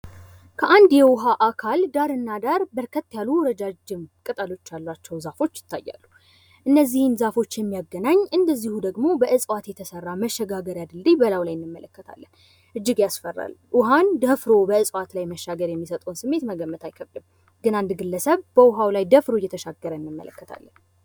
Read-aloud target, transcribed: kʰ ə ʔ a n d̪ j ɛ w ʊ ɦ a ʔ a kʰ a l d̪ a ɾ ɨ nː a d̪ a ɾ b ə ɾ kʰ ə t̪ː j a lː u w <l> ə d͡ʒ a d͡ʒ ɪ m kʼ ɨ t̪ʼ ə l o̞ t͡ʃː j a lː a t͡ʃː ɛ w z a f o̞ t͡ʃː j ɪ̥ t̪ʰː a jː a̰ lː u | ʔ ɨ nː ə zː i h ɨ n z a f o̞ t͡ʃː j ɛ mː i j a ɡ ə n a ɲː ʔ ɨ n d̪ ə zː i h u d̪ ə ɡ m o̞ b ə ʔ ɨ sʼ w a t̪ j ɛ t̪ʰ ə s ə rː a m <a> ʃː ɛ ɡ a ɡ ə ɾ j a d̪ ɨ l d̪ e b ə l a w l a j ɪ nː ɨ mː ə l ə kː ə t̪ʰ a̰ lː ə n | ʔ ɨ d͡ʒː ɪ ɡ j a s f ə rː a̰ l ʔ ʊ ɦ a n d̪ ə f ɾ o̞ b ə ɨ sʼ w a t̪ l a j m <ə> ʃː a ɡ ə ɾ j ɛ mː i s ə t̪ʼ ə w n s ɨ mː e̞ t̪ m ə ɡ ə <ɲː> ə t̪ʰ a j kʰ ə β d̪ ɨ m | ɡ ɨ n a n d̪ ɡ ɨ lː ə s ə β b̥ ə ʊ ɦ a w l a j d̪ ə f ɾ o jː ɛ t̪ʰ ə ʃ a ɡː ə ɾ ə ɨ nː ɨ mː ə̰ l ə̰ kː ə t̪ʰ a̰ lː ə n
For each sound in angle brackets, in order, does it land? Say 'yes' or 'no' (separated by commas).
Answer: no, no, yes, no